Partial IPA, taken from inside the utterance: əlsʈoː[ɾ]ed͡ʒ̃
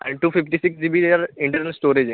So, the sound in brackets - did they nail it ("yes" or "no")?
yes